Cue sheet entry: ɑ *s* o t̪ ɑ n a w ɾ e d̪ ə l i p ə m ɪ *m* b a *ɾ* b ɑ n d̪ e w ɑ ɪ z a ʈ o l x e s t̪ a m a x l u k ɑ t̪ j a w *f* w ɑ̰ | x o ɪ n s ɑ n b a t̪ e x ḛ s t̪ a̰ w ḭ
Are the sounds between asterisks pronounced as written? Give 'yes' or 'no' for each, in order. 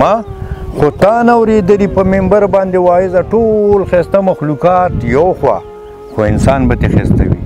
no, yes, yes, no

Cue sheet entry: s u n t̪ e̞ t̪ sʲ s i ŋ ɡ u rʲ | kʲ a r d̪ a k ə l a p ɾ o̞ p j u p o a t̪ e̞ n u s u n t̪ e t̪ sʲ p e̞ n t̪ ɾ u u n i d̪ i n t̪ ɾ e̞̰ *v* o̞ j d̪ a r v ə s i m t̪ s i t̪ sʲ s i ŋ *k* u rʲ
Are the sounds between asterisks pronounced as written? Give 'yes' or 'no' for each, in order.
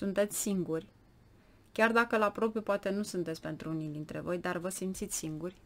yes, no

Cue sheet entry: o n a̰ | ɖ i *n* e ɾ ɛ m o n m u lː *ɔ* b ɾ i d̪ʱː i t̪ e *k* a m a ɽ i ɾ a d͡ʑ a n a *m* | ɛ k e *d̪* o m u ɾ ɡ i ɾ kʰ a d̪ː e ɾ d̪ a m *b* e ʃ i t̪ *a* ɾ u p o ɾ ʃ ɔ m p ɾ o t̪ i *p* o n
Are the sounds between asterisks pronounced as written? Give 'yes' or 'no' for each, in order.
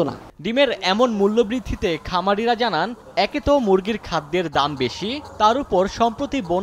no, no, no, no, no, yes, yes, no

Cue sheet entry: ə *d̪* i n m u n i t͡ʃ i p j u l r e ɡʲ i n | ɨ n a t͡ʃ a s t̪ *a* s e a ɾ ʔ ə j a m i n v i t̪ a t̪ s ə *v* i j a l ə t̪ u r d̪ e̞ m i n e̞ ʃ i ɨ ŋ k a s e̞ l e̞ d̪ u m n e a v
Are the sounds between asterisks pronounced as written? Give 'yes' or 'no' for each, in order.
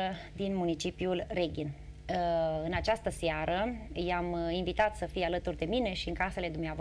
yes, no, no

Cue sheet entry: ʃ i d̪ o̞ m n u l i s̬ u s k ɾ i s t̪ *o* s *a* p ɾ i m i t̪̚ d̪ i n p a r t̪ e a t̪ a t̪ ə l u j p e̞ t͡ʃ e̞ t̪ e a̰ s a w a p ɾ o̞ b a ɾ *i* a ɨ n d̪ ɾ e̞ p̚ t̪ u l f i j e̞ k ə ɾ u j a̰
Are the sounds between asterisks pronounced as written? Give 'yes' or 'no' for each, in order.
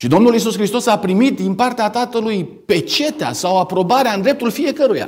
yes, yes, no

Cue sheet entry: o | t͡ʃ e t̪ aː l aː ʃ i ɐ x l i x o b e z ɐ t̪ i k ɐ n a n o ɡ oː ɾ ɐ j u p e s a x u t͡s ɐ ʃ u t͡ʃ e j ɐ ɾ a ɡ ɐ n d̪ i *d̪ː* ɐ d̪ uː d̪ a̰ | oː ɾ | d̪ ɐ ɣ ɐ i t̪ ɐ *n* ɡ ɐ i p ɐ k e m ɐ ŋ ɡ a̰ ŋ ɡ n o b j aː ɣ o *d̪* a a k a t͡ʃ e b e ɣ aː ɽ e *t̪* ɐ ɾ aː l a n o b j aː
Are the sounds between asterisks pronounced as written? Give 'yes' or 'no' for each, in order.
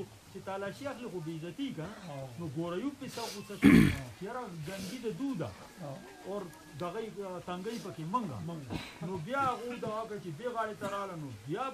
no, no, yes, yes

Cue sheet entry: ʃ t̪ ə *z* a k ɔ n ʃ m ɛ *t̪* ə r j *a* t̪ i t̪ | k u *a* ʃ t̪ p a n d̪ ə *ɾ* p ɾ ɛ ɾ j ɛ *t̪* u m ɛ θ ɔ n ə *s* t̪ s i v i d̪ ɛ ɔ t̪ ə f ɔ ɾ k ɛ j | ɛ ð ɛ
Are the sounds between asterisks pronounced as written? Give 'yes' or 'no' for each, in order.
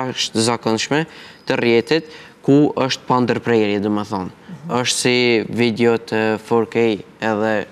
yes, yes, no, no, yes, no, no

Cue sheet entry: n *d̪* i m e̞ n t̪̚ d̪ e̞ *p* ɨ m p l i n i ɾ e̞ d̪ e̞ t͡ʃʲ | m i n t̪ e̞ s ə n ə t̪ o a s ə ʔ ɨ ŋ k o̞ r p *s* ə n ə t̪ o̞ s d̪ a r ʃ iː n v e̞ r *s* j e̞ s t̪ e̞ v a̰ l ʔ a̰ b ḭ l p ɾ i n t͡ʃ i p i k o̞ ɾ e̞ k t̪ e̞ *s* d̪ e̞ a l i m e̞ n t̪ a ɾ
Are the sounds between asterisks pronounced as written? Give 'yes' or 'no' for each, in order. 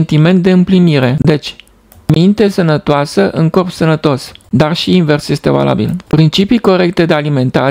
no, no, yes, yes, no

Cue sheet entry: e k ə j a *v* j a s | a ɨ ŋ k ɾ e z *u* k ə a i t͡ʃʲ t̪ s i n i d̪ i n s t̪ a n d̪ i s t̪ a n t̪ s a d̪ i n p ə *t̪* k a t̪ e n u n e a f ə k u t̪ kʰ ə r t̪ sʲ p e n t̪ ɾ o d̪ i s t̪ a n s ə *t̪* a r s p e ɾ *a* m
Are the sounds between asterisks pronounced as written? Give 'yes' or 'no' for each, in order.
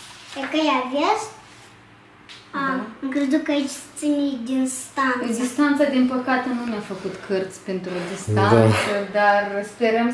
yes, yes, no, no, no

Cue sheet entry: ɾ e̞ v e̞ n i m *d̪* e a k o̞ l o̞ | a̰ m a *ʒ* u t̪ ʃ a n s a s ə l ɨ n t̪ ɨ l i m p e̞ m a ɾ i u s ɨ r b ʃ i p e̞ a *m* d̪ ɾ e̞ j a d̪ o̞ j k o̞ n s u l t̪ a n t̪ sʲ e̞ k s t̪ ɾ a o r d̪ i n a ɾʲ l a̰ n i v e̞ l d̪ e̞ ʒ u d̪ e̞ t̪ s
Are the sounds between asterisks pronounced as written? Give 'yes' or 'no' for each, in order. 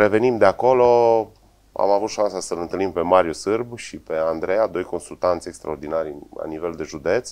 yes, no, no

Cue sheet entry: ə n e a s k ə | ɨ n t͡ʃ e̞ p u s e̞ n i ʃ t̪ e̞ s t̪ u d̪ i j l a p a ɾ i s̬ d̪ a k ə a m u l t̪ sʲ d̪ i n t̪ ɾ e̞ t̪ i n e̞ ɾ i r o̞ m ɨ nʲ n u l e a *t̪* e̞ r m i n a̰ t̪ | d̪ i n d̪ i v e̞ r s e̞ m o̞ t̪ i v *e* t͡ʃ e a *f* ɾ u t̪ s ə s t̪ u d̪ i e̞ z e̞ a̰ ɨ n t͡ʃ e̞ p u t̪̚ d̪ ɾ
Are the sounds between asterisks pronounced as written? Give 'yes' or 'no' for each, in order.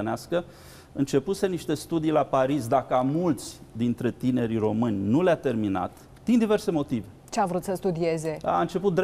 yes, yes, no

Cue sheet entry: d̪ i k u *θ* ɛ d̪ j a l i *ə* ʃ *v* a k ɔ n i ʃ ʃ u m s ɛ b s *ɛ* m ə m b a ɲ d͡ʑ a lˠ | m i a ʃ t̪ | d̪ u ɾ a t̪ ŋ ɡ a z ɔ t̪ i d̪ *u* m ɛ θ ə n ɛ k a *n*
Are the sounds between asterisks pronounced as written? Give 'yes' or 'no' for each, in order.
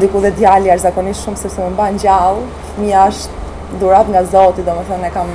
no, no, no, yes, no, no

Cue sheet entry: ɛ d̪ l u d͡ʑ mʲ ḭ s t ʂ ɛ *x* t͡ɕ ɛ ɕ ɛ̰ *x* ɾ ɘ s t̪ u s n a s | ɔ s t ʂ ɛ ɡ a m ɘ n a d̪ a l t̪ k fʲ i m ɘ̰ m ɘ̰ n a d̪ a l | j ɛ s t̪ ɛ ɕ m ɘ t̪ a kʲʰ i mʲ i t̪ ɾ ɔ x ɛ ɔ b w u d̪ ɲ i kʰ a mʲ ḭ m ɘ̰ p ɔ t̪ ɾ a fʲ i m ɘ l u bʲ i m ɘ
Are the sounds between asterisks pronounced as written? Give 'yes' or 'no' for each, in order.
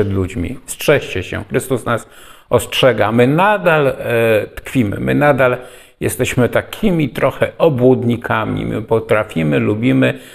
no, yes

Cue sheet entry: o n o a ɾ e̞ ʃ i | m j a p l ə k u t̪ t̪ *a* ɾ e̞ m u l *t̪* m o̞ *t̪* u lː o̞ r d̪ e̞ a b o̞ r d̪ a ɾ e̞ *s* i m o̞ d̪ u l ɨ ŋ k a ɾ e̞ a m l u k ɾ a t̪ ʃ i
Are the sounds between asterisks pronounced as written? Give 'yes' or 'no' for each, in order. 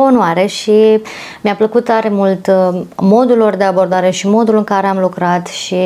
yes, yes, no, no

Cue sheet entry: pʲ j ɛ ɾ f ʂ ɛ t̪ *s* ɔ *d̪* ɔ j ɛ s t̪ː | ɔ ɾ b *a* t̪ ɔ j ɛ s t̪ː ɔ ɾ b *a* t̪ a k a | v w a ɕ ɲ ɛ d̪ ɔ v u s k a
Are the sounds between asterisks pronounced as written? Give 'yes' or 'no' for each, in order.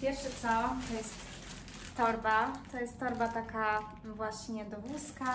yes, no, yes, yes

